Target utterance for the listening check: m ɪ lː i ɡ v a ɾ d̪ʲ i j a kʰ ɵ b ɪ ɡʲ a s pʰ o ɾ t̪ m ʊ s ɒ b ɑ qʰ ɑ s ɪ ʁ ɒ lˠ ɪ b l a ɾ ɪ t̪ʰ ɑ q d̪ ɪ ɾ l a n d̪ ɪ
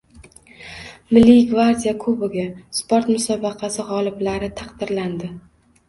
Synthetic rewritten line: m ɪ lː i ɡ v a ɾ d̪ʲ i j a kʰ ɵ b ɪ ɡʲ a s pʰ o ɾ t̪ m ʊ s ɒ b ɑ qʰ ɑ s ɪ ʁ ɒ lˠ ɪ b l a ɾ ɪ t̪ʰ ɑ q d̪ ɪ ɾ l a n d̪ ɪ